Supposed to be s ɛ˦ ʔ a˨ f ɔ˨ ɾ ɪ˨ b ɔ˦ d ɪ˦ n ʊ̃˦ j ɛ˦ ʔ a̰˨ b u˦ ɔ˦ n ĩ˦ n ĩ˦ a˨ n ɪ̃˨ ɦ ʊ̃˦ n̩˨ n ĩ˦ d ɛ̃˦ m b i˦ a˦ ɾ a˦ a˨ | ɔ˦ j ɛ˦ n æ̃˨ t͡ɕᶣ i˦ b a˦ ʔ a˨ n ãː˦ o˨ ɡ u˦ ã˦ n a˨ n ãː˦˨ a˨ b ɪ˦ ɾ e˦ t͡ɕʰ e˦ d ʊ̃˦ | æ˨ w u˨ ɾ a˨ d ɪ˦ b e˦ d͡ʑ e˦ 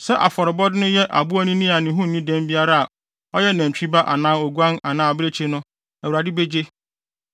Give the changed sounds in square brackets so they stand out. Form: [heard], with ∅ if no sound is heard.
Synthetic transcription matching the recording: s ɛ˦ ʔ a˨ f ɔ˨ ɾ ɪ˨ b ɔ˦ d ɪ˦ n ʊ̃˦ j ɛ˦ ʔ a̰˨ b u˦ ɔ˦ n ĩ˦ n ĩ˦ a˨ n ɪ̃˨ ɦ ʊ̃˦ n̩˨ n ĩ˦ d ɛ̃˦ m b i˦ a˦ ɾ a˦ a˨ | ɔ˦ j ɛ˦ n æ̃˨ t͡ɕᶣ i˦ b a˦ ʔ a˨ n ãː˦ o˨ ɡ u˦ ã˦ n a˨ n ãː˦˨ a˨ b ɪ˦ ɾ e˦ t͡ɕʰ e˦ [n] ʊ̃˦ | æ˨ w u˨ ɾ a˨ d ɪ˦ b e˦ d͡ʑ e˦